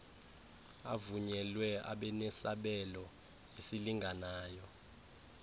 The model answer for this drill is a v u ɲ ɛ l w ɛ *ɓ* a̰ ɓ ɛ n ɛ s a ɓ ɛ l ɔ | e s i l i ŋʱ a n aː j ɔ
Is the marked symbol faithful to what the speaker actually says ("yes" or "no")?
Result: no